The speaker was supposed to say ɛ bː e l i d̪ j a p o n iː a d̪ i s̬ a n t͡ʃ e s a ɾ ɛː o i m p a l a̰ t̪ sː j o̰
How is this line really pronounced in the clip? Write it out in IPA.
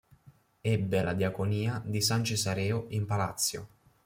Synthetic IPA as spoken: ɛ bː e l a d̪ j a k o n iː a d̪ i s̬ a n t͡ʃ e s a ɾ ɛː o i m p a l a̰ t̪ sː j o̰